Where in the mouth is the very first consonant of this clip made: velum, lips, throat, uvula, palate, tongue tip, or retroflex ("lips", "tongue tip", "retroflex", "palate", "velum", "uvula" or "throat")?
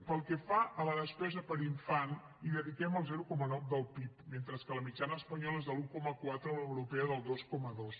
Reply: lips